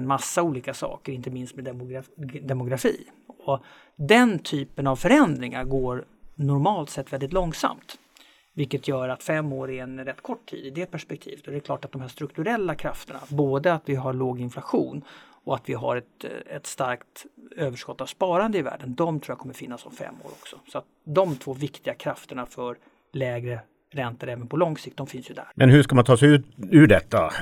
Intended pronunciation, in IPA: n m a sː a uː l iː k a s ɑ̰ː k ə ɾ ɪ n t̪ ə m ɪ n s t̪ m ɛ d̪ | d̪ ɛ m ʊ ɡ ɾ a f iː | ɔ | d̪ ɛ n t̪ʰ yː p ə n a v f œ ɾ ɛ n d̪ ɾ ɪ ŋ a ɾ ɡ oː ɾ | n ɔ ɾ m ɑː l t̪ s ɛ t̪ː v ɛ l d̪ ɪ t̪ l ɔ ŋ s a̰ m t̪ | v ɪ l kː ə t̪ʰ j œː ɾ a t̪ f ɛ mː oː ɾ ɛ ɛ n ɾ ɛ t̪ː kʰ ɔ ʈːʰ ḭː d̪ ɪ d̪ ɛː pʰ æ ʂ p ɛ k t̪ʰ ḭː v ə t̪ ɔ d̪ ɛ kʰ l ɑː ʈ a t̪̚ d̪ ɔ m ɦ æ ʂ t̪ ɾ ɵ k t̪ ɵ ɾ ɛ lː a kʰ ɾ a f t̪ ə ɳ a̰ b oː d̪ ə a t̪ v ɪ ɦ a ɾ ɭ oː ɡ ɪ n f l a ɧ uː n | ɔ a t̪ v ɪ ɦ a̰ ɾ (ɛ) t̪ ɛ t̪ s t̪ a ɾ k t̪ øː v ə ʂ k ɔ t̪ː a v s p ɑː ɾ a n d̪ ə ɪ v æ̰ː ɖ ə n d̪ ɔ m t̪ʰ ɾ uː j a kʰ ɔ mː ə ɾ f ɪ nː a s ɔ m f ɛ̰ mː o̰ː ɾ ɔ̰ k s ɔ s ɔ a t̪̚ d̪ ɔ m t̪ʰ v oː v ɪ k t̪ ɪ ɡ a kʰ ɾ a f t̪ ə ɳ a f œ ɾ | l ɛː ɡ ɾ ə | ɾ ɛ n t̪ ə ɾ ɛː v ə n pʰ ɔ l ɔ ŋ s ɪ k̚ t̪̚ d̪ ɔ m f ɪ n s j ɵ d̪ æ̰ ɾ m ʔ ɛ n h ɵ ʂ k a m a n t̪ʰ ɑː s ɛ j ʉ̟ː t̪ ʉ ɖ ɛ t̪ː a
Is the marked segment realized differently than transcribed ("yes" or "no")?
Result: no